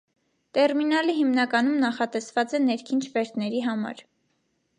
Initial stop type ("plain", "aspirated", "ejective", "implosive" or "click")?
plain